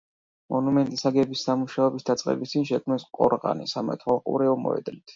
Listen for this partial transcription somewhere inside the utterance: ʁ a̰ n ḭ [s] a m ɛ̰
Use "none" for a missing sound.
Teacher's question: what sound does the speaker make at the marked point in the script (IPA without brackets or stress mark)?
s